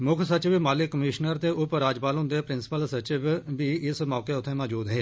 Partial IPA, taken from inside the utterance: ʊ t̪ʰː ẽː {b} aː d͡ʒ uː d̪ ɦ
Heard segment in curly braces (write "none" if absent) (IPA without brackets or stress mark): m